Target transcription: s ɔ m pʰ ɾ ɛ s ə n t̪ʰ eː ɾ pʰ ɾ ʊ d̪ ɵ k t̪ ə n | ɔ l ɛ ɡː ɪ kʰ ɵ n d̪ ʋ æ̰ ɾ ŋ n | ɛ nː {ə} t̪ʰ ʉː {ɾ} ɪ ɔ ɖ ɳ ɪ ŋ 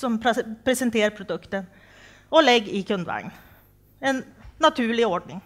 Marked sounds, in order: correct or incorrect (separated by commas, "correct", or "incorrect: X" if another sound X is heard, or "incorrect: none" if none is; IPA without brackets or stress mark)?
incorrect: ɑ, incorrect: ɭ